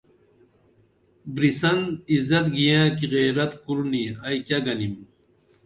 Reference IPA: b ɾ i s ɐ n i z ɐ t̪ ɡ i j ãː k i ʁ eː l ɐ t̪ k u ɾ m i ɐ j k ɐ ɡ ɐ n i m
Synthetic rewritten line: b ɾ i s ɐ n i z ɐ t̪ ɡ i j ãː k i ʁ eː ɾ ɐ t̪ k u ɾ n i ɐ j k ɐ ɡ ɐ n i m